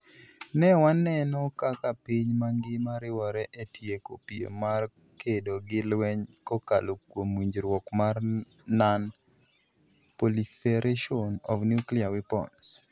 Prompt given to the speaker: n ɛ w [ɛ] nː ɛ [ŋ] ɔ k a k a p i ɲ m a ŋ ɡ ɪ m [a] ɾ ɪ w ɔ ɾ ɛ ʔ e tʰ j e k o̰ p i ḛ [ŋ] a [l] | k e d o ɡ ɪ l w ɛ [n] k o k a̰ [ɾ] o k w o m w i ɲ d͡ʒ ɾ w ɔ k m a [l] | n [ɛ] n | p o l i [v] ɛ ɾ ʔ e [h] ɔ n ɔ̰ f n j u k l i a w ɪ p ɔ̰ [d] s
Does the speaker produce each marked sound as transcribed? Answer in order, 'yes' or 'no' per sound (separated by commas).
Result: no, no, yes, no, no, no, no, no, no, no, no, no